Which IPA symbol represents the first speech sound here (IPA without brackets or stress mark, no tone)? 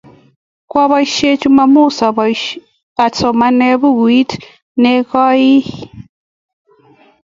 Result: k